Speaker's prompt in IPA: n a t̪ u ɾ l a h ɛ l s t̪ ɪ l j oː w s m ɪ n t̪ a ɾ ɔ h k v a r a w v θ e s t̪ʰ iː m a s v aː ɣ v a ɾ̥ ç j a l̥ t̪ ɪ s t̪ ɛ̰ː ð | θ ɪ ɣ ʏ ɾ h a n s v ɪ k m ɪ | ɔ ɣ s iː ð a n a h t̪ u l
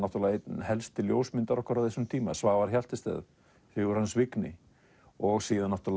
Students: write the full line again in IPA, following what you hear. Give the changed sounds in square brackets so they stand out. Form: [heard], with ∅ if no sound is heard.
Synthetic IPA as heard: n a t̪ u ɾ l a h ɛ l s t̪ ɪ l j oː w s m ɪ n t̪ a ɾ ɔ h k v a [ɾ] a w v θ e s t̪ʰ iː m a s v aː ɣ v a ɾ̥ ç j a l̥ t̪ ɪ s t̪ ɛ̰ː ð | θ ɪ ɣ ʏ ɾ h a n s v ɪ k [n] ɪ | ɔ ɣ s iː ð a n a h t̪ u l